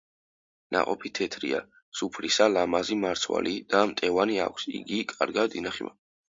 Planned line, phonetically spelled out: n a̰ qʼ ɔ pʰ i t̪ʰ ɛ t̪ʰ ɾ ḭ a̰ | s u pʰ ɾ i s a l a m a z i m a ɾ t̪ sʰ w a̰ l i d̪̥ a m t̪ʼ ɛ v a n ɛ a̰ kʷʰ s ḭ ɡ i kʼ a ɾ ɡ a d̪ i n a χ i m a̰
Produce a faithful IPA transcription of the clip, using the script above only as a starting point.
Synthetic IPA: n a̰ qʼ ɔ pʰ i t̪ʰ ɛ t̪ʰ ɾ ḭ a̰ | s u pʰ ɾ i s a l a m a z i m a ɾ t̪ sʰ w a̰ l i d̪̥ a m t̪ʼ ɛ v a n i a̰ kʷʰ s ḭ ɡ i kʼ a ɾ ɡ a d̪ i n a χ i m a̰